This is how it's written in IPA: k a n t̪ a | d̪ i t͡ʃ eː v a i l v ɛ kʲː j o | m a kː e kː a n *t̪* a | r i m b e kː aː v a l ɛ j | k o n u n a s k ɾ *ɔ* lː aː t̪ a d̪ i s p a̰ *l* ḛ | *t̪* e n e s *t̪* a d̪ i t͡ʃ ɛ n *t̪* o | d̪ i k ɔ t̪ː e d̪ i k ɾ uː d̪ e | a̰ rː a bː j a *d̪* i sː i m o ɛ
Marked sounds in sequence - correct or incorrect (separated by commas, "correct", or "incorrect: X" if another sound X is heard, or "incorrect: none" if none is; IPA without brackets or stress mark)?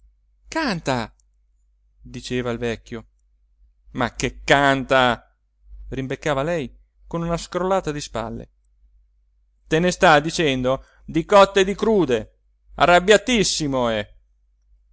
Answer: correct, incorrect: o, incorrect: lː, correct, correct, incorrect: d̪, incorrect: t̪